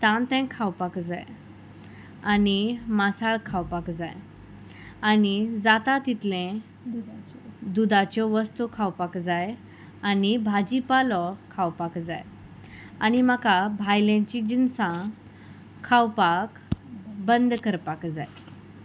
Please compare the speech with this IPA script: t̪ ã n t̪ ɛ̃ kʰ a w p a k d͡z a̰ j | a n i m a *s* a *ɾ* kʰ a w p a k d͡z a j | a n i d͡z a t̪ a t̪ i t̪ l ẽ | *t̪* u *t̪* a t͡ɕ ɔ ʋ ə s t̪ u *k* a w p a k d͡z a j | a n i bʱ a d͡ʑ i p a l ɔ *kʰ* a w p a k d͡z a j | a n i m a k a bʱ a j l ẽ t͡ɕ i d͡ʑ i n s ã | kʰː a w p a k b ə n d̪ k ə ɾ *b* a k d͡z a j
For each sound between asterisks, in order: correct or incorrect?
correct, incorrect: ɭ, incorrect: d̪, incorrect: d̪, incorrect: kʰ, correct, incorrect: p

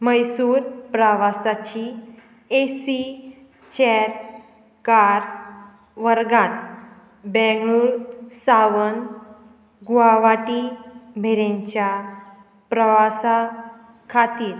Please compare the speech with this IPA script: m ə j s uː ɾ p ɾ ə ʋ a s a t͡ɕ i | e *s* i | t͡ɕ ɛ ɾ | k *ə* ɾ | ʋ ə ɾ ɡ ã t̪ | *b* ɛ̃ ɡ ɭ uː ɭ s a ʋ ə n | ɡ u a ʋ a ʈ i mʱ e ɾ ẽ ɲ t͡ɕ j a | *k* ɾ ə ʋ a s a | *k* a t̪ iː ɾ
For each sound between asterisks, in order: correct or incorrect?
correct, incorrect: a, correct, incorrect: p, incorrect: kʰ

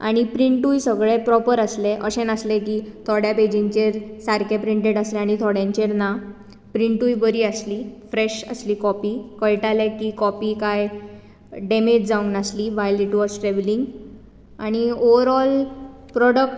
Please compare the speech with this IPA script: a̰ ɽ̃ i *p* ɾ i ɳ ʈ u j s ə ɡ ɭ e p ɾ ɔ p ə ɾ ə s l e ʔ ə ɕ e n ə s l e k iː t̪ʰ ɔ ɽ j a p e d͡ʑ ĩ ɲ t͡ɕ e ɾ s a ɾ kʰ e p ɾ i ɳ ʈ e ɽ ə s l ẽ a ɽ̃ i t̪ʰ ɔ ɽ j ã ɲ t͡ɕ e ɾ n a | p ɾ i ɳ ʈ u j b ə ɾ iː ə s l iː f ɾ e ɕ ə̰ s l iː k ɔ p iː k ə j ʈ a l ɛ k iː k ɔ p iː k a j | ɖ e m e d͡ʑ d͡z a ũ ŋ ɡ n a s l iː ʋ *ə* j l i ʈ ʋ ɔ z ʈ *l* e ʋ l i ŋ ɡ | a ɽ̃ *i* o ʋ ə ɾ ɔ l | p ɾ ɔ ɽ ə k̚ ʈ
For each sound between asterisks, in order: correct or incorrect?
correct, incorrect: a, incorrect: ɾ, correct

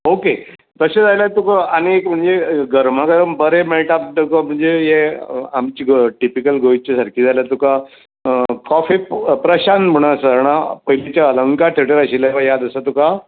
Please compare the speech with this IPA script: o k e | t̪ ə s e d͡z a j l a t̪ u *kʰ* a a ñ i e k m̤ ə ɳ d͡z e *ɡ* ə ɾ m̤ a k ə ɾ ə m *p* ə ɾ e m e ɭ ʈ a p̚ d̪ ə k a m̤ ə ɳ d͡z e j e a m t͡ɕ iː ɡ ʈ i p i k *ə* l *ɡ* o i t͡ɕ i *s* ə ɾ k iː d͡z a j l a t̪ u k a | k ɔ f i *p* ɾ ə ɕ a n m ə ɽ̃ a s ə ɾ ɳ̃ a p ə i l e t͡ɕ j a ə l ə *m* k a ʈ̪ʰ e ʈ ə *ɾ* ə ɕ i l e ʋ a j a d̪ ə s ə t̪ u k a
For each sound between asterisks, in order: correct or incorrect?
incorrect: k, correct, incorrect: b, correct, correct, correct, correct, incorrect: ŋ, correct

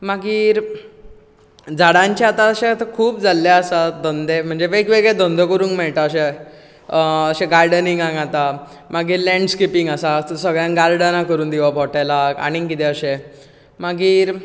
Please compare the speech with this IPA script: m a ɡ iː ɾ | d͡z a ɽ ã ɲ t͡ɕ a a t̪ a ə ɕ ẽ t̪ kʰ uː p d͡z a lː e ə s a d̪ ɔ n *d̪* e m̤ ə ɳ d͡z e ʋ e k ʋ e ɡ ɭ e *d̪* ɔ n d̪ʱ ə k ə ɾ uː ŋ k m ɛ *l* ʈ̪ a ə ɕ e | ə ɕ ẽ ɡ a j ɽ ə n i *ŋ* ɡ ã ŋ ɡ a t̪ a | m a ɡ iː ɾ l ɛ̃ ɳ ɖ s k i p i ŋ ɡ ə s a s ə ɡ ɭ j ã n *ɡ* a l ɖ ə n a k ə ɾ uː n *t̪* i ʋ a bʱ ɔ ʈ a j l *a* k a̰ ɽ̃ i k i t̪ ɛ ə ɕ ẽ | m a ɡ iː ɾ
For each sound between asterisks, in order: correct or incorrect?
correct, correct, incorrect: ɭ, correct, correct, incorrect: d̪, correct

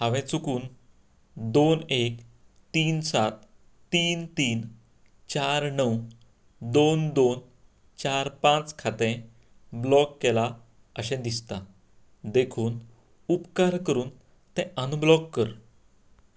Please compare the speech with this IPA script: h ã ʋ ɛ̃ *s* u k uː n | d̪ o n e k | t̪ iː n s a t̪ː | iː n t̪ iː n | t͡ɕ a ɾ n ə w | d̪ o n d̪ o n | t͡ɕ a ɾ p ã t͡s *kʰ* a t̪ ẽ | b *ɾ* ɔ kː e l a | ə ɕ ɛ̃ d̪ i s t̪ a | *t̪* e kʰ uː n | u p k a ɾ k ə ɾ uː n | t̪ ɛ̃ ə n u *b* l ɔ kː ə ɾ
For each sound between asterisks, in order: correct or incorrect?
incorrect: t͡s, correct, incorrect: l, incorrect: d̪, correct

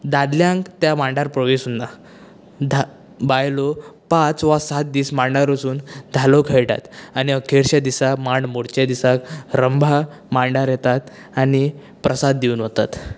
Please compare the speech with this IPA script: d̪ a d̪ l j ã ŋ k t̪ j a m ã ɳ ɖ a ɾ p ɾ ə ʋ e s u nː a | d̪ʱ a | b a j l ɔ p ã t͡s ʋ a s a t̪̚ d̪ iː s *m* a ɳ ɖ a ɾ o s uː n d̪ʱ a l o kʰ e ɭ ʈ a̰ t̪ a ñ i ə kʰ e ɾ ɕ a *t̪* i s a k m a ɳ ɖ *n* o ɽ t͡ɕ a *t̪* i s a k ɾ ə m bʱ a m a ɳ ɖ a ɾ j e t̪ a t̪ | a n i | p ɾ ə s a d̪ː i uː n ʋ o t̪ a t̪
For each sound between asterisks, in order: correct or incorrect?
correct, incorrect: d̪, incorrect: m, incorrect: d̪

